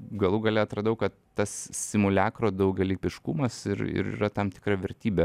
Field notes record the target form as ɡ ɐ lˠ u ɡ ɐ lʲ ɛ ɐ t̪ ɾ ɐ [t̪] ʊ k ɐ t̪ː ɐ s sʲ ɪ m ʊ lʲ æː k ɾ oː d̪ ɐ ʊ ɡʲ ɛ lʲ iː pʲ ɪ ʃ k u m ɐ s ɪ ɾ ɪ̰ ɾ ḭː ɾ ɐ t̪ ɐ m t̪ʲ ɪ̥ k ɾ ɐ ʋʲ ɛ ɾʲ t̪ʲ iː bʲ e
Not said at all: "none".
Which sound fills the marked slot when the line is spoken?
d̪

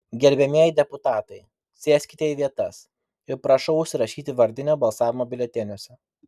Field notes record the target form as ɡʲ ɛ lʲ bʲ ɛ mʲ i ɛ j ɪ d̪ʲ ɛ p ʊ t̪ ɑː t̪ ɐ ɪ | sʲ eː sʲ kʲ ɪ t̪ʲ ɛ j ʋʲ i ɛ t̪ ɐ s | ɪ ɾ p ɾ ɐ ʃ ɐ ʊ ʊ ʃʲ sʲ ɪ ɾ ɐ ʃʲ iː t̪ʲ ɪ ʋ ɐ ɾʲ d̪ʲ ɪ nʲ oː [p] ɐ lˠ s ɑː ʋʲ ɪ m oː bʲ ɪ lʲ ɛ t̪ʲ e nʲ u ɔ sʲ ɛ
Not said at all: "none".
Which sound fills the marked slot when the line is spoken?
b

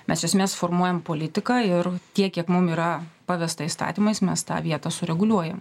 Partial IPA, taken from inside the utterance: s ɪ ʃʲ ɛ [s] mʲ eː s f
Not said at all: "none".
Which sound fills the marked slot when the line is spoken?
s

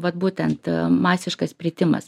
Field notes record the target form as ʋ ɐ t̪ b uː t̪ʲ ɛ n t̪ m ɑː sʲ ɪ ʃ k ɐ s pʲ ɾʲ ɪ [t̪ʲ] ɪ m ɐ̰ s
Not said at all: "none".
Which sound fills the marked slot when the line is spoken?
t̪ʲ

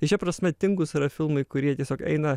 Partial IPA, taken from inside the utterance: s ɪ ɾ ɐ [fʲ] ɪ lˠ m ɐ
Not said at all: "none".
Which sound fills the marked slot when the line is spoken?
fʲ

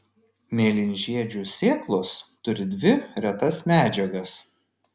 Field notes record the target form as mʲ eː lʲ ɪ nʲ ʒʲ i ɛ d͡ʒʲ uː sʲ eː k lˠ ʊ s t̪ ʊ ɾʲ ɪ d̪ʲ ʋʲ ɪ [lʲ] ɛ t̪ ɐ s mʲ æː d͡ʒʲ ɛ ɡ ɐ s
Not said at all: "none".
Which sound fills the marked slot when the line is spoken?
ɾʲ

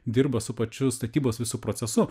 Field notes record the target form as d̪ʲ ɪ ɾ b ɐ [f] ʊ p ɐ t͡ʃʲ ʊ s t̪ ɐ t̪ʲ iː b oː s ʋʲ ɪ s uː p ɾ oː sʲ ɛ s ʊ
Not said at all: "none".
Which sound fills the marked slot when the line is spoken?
s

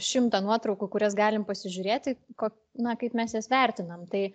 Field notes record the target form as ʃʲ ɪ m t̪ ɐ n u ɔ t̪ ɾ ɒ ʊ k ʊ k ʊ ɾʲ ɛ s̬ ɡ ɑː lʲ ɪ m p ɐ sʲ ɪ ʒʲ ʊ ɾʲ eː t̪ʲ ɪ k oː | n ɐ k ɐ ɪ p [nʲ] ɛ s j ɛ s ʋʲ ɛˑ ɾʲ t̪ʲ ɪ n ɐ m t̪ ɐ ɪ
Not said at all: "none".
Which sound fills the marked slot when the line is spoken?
mʲ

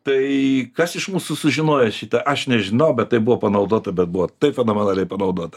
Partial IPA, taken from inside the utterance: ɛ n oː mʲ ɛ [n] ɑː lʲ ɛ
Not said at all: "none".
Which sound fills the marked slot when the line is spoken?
n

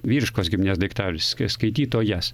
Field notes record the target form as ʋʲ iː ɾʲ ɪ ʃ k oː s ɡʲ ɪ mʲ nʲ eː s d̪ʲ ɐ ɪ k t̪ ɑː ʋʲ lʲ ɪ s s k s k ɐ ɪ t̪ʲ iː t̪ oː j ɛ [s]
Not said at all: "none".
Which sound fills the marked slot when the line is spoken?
s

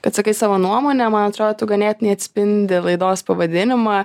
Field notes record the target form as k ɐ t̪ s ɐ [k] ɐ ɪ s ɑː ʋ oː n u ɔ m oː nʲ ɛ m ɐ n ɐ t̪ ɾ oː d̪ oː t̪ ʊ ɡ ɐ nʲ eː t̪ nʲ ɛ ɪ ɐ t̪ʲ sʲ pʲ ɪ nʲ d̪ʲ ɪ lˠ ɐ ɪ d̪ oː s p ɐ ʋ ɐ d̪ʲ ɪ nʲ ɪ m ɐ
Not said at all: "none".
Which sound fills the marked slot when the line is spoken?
k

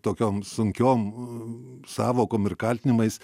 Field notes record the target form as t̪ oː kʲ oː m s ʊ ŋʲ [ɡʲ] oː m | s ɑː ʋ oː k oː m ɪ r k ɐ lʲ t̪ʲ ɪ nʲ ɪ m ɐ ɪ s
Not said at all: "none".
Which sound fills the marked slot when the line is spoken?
kʲ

